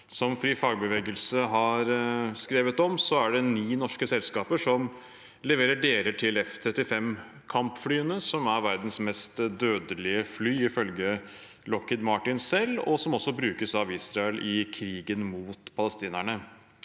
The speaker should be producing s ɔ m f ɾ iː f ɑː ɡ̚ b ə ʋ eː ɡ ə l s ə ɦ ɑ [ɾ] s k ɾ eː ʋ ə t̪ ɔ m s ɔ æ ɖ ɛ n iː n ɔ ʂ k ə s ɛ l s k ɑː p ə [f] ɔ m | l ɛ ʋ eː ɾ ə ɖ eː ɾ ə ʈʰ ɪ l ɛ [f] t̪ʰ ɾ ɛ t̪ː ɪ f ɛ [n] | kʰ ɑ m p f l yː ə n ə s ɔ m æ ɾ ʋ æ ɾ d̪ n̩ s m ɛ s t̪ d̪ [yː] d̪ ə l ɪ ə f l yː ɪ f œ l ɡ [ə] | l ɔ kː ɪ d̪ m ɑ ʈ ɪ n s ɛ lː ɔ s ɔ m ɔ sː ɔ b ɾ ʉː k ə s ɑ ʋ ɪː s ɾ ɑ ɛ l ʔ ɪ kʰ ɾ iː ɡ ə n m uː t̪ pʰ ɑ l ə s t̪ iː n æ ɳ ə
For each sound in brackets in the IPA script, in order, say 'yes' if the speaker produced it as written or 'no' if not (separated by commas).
yes, no, yes, no, no, yes